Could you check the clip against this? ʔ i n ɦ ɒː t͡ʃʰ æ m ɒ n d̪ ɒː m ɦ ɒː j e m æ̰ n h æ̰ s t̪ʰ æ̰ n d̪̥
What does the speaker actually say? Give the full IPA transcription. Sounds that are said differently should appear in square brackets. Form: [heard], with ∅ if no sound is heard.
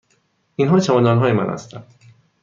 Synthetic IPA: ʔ i n ɦ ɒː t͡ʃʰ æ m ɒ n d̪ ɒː [n] ɦ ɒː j e m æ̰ n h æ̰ s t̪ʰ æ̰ n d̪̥